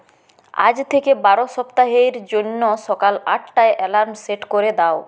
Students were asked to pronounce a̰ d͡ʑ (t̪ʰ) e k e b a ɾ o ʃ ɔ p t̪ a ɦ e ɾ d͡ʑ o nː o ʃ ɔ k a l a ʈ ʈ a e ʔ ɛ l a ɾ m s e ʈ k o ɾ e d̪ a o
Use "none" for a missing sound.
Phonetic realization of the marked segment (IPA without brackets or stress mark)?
t̪ʰ